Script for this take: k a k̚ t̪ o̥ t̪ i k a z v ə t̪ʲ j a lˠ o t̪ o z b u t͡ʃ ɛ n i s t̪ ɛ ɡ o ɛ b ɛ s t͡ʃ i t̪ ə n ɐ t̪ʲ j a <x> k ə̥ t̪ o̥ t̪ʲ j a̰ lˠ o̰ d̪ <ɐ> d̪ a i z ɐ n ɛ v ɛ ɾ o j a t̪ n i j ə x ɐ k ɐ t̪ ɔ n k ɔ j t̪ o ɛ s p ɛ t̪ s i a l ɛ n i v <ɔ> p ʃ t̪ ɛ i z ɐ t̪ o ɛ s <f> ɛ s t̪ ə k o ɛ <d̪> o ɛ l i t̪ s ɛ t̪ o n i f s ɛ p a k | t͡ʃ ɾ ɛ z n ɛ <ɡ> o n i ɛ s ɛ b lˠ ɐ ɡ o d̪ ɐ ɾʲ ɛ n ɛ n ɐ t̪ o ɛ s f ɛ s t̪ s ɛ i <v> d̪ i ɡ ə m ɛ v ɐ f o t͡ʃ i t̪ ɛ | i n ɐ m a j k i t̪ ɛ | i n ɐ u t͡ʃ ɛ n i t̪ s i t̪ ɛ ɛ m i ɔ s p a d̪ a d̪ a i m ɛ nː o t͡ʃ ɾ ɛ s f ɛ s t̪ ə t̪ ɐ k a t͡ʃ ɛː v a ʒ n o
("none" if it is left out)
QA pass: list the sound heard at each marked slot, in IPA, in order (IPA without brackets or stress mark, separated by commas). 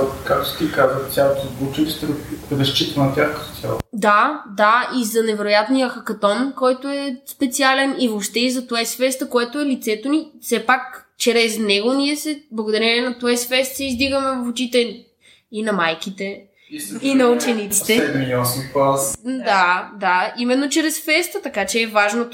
x, a, o, f, t̪, ɡ, z